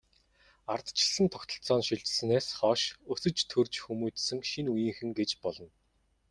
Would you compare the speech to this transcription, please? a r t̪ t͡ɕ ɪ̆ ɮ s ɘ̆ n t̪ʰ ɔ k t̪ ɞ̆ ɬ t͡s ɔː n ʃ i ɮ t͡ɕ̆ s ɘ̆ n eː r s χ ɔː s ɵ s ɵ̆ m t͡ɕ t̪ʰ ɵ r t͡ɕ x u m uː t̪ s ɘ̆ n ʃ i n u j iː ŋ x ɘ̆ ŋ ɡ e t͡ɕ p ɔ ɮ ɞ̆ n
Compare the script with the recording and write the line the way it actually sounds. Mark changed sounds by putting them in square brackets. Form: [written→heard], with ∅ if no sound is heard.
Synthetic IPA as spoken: a r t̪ t͡ɕ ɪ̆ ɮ s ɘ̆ n t̪ʰ ɔ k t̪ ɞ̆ ɬ t͡s ɔː n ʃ i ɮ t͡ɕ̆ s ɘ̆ n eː [r→∅] s χ ɔː [s→ʃ] ɵ s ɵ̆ [m→∅] t͡ɕ t̪ʰ ɵ r t͡ɕ x u m uː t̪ s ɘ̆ [n→ŋ] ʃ i n u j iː ŋ x ɘ̆ ŋ ɡ e t͡ɕ p ɔ ɮ ɞ̆ n

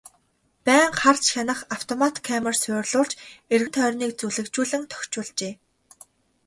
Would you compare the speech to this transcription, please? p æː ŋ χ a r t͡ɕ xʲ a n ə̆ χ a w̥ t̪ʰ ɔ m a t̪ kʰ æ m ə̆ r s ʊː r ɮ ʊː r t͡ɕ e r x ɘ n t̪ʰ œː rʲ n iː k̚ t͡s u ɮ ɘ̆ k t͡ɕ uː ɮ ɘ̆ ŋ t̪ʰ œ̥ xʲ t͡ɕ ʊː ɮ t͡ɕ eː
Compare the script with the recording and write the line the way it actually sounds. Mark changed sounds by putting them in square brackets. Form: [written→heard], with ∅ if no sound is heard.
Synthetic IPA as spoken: p æː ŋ χ a r t͡ɕ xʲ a n ə̆ χ a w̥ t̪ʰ ɔ m a t̪ kʰ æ m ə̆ r s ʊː r ɮ ʊː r t͡ɕ e r [x→ɣ] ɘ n t̪ʰ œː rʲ n iː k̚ t͡s u ɮ ɘ̆ k t͡ɕ uː ɮ ɘ̆ ŋ t̪ʰ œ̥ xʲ t͡ɕ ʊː ɮ t͡ɕ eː

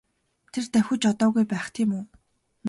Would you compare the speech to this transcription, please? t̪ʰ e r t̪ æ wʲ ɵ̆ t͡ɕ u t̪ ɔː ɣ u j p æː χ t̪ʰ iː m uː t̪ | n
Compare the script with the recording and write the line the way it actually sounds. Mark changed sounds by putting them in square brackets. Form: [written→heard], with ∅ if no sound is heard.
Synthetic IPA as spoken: t̪ʰ e r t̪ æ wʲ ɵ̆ t͡ɕ [u→ɔ] t̪ ɔː ɣ u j p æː χ t̪ʰ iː m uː [t̪→∅] | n

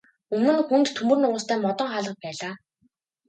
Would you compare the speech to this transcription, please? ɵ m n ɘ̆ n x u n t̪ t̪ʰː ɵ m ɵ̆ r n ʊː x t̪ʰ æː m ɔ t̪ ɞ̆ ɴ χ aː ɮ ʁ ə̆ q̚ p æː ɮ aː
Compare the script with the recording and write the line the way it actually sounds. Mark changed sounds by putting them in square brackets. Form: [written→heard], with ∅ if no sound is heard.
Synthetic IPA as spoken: ɵ m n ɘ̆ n x u n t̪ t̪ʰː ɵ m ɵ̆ r n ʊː [x→s] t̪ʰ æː m ɔ t̪ ɞ̆ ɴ χ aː ɮ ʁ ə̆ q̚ p æː ɮ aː

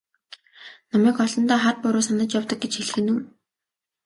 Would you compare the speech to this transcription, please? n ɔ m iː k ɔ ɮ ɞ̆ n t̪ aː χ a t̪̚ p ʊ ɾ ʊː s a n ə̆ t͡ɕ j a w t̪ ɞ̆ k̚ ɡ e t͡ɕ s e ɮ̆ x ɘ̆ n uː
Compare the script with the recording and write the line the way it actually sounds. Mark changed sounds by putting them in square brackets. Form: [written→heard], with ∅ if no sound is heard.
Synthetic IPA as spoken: n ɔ m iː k ɔ ɮ ɞ̆ n t̪ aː χ a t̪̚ p ʊ ɾ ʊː s a n ə̆ t͡ɕ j a w t̪ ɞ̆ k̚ ɡ e t͡ɕ [s→x] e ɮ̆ x ɘ̆ n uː

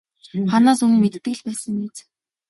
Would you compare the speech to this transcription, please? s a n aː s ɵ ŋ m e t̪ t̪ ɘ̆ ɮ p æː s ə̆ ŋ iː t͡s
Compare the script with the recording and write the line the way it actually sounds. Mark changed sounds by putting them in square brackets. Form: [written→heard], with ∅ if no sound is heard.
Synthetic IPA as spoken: [s→χ] a n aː s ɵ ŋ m e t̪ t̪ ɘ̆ ɮ p æː s ə̆ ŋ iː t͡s

